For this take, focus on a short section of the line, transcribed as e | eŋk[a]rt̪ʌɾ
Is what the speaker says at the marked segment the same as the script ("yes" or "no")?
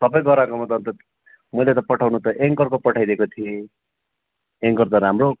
no